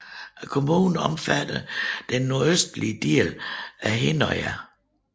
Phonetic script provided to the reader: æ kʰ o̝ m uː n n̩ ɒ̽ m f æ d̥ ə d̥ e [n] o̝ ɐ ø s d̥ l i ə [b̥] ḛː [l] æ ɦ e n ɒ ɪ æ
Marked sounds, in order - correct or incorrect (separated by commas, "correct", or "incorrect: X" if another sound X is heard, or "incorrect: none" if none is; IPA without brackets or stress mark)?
incorrect: nː, incorrect: d̥, correct